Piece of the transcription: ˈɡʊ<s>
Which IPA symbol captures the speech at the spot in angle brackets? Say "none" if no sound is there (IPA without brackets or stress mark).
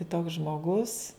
s